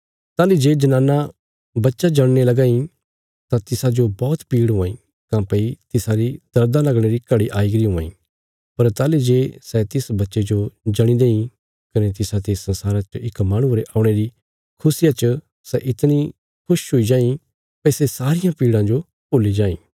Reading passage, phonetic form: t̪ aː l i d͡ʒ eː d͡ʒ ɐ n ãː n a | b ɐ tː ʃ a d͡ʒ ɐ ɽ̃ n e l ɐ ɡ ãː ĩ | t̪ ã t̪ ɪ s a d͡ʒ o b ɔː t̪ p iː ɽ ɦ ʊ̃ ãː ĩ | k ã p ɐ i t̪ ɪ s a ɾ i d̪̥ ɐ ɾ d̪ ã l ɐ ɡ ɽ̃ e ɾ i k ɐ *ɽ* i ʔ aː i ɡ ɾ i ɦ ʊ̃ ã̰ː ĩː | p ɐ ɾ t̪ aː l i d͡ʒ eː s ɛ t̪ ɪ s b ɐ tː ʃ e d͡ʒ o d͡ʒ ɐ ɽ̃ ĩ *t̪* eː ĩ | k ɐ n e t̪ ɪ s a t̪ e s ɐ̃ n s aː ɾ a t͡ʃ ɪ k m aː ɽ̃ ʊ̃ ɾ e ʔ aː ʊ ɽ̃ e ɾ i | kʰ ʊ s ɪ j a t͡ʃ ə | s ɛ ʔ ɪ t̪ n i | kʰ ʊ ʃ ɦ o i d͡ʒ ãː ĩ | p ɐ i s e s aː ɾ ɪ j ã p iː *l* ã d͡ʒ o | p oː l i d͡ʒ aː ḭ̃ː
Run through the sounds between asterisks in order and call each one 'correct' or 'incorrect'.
correct, incorrect, incorrect

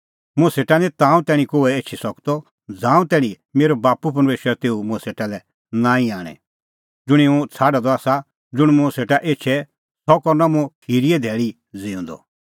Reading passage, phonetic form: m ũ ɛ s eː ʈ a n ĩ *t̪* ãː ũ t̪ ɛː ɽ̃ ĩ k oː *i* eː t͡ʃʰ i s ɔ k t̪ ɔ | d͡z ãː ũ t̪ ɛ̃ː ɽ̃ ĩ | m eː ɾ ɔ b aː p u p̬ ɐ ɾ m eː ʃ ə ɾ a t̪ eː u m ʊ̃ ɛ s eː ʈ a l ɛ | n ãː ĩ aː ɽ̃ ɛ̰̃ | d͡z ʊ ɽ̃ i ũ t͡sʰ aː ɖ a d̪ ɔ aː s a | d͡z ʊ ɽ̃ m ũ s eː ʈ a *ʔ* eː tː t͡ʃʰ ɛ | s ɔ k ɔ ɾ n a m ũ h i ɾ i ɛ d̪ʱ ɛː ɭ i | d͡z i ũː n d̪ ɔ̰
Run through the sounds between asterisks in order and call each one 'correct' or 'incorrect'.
correct, incorrect, correct

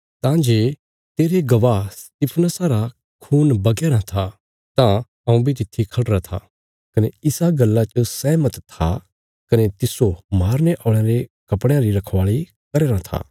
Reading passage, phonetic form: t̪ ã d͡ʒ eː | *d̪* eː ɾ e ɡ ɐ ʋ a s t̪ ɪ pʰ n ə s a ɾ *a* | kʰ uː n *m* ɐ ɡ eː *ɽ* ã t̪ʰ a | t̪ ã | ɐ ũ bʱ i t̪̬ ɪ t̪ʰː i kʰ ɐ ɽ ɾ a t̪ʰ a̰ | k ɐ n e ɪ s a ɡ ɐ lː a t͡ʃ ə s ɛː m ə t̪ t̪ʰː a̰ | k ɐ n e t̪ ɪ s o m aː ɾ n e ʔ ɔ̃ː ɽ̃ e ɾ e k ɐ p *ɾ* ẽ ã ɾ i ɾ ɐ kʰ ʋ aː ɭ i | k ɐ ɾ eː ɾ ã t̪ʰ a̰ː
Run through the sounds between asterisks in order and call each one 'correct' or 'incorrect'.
incorrect, correct, incorrect, incorrect, incorrect

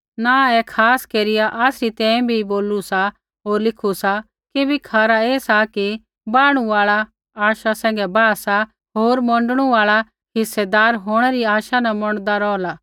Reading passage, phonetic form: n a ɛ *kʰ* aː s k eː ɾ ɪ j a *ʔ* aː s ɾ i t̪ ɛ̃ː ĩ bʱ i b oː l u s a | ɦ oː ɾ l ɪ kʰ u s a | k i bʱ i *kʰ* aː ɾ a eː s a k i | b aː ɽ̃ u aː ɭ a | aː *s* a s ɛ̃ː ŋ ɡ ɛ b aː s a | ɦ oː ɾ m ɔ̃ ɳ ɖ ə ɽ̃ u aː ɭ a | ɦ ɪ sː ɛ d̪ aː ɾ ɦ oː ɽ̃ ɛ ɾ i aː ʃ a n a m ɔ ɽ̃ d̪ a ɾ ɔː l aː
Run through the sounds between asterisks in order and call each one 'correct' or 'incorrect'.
correct, correct, correct, incorrect

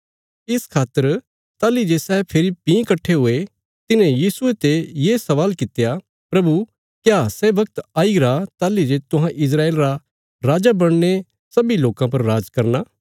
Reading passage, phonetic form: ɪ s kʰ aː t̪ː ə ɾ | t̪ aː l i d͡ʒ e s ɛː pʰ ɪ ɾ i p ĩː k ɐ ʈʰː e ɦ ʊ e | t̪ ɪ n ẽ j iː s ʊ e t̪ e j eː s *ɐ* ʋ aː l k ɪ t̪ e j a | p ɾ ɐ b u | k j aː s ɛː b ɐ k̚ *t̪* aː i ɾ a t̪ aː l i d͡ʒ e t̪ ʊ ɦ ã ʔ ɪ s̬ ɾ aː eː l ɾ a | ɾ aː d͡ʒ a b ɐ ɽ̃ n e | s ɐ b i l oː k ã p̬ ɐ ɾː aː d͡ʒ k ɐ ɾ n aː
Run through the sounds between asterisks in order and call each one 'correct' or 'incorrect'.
correct, correct

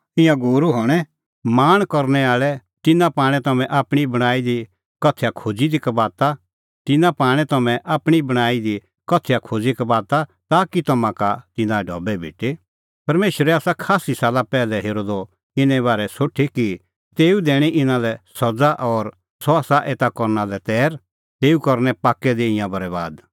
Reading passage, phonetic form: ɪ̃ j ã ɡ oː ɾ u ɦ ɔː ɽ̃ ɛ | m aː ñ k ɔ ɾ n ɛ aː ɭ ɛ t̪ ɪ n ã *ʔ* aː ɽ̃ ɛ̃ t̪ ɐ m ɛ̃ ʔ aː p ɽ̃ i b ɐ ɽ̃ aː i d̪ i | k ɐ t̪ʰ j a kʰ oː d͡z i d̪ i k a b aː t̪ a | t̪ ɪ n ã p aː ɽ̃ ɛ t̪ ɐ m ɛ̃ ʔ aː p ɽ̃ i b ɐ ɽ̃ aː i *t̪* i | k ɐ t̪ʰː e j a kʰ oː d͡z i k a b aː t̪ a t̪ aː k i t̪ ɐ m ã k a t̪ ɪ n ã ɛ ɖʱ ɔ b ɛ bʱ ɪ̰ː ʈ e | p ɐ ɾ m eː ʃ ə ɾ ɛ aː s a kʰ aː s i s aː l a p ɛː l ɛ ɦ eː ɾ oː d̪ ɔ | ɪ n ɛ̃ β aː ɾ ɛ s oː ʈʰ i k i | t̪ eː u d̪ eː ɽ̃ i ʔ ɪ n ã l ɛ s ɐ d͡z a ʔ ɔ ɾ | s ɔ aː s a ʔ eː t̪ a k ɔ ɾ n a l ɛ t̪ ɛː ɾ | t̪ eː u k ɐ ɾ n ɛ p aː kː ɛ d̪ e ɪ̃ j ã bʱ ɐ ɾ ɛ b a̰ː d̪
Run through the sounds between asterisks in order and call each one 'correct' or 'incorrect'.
incorrect, incorrect

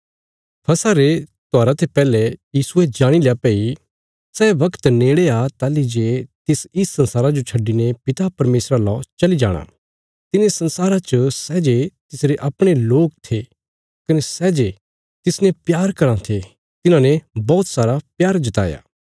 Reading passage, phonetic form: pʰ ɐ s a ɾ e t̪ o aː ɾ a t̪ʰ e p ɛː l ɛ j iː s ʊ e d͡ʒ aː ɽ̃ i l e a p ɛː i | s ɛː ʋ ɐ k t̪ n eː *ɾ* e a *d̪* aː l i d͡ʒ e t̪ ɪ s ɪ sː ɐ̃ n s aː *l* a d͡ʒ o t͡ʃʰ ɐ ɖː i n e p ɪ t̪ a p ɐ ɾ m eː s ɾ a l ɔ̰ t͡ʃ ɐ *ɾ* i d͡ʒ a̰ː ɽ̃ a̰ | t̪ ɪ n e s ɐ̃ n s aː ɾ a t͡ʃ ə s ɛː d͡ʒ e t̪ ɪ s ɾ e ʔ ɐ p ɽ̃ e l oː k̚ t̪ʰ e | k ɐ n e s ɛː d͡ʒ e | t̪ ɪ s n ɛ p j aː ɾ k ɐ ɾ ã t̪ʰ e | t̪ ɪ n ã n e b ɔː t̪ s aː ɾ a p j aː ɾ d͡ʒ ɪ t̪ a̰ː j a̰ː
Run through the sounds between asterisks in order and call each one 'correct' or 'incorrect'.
incorrect, incorrect, incorrect, incorrect

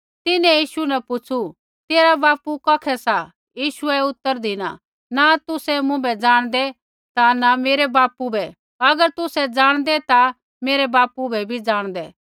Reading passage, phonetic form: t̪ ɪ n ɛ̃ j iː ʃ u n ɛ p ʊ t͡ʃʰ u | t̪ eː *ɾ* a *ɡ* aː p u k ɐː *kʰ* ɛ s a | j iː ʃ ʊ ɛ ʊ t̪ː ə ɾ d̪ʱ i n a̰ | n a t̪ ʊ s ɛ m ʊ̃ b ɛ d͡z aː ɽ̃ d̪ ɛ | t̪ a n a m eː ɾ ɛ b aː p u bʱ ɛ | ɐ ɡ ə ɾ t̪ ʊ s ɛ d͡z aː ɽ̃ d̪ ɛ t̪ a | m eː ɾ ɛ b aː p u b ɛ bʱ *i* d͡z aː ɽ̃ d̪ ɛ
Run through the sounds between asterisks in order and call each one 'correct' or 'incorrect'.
correct, incorrect, correct, correct

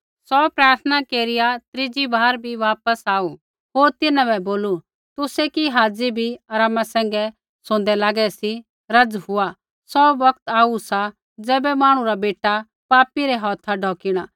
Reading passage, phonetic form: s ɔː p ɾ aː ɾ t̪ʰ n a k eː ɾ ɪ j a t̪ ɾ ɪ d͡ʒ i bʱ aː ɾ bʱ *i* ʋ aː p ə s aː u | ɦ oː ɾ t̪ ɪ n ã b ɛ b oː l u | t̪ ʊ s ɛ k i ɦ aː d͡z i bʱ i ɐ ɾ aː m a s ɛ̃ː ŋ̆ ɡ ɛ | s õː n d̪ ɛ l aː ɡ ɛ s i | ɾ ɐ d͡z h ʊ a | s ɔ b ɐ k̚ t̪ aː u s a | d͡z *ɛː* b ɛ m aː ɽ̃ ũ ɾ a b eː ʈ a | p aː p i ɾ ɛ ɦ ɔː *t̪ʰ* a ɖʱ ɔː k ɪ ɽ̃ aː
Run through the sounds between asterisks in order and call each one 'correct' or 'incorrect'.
correct, correct, correct

